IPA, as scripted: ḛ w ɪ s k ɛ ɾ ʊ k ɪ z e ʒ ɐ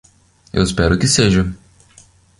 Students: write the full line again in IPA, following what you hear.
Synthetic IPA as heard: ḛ w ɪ s p ɛ ɾ ʊ k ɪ s e ʒ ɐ